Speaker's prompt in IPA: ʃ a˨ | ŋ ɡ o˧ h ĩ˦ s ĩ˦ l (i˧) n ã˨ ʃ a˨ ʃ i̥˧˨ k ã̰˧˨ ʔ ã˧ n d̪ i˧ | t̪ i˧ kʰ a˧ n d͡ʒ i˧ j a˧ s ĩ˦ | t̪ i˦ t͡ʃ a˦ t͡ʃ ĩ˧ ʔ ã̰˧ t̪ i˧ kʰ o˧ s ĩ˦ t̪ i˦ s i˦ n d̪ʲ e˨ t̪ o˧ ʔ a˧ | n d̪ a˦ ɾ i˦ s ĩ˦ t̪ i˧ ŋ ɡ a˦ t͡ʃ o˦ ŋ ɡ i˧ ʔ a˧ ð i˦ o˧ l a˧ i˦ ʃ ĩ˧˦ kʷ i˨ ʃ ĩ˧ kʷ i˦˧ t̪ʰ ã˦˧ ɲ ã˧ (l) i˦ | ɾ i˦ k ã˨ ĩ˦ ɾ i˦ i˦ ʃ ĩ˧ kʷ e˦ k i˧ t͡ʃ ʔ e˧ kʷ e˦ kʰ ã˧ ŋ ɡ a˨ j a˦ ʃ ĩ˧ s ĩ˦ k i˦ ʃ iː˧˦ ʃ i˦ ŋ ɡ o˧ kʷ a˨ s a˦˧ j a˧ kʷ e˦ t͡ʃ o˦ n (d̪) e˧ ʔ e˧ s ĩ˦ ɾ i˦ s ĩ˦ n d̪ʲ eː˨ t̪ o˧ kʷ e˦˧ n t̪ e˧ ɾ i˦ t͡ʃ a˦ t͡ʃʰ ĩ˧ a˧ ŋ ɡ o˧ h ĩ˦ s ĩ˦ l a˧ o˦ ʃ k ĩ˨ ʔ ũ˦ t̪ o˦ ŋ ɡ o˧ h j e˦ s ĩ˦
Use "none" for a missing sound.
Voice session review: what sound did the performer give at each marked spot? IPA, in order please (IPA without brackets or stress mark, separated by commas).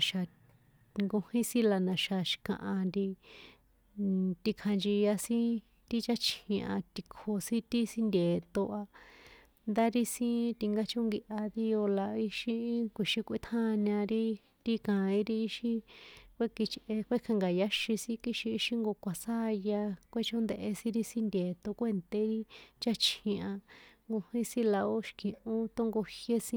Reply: a˧, ɾ, d̪